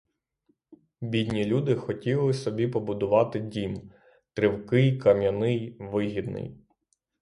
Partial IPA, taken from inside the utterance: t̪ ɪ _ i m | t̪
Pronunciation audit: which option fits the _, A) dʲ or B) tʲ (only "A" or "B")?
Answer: A